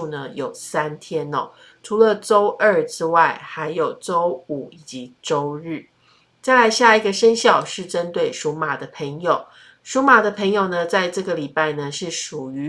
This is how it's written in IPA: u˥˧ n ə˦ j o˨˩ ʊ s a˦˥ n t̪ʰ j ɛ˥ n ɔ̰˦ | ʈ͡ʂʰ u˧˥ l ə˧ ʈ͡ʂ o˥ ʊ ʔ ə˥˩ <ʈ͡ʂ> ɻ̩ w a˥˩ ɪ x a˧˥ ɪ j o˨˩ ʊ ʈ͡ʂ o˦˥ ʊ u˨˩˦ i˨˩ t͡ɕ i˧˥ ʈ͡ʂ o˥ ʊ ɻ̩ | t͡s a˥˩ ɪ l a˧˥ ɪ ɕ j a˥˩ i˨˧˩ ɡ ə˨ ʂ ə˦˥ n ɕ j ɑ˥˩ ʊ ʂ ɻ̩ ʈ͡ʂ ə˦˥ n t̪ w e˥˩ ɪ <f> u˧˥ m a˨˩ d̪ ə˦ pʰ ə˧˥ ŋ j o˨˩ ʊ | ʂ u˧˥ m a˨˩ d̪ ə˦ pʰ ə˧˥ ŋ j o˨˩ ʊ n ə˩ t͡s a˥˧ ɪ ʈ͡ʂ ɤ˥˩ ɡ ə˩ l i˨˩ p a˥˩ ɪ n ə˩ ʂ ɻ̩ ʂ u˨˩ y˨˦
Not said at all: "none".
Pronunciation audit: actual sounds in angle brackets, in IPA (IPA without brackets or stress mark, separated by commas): ʈ͡ʂ, ʂ